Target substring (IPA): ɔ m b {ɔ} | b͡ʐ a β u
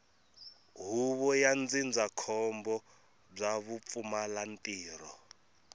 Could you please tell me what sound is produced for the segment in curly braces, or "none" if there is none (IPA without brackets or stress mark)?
ɔ